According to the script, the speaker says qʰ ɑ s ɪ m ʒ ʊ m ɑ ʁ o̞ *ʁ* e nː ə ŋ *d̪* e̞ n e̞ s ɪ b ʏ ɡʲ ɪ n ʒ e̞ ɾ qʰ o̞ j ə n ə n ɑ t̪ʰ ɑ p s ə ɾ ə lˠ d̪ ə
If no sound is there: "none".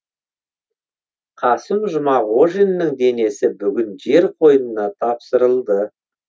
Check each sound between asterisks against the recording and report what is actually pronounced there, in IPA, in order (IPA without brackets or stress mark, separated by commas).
ʒ, d̪